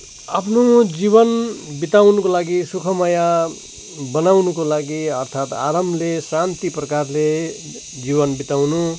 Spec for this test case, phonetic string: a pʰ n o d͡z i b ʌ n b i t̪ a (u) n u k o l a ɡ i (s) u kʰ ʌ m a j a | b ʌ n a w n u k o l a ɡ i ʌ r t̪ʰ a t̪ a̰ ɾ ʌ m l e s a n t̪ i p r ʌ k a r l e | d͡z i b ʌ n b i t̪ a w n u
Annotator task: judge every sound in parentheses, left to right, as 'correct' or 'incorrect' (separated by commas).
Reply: incorrect, correct